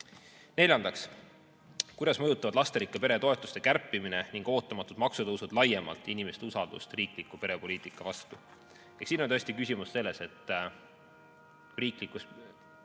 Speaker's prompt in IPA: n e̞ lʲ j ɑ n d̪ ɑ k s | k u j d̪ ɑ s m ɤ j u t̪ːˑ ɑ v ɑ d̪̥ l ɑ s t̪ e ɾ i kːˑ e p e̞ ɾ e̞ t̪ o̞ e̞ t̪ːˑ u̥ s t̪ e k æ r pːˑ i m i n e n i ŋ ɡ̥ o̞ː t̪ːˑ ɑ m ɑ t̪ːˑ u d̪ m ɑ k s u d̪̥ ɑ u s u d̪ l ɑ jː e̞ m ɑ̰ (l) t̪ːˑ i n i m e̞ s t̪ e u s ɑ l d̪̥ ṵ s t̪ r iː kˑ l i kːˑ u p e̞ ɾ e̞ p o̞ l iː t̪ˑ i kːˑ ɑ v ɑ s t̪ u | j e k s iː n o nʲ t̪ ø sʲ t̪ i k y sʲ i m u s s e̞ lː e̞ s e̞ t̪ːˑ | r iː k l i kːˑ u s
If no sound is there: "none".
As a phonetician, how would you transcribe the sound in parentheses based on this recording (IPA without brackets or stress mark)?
l